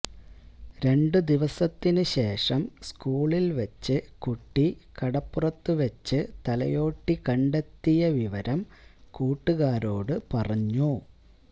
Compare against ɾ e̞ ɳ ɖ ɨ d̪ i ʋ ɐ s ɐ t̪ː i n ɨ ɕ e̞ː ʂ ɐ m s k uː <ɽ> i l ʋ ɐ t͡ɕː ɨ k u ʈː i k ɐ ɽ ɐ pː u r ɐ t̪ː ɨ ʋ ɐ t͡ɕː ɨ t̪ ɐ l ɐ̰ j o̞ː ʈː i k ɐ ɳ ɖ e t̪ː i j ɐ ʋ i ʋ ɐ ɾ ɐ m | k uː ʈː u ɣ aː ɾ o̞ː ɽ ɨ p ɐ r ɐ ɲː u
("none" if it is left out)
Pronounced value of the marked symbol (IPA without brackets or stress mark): ɭ